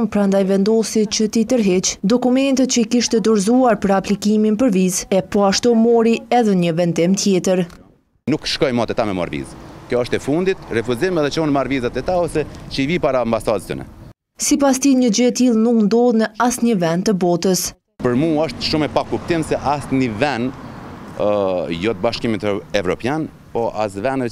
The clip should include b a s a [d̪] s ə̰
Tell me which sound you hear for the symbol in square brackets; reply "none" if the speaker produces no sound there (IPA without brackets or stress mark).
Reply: d̪